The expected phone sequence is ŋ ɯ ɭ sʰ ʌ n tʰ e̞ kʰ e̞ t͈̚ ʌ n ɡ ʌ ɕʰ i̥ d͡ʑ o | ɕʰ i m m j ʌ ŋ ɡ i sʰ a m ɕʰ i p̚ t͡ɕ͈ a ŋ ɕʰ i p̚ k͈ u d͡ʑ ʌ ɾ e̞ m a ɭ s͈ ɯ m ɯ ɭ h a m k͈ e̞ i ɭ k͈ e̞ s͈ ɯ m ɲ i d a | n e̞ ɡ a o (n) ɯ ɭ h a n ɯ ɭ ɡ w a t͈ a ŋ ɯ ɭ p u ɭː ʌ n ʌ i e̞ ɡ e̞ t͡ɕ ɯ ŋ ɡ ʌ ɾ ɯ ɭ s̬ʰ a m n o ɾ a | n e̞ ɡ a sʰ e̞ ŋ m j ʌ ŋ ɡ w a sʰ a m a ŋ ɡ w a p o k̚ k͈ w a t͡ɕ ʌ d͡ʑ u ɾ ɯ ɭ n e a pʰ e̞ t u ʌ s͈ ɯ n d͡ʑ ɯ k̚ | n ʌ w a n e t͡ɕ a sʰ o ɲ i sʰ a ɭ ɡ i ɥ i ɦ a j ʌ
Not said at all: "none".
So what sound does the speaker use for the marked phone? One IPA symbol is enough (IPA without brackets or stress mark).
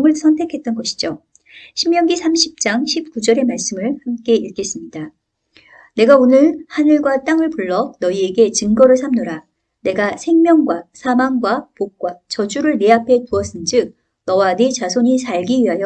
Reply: n